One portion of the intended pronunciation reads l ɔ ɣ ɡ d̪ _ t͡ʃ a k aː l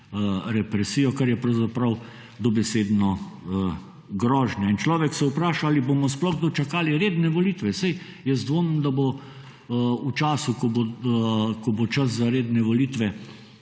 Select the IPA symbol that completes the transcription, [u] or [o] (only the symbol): o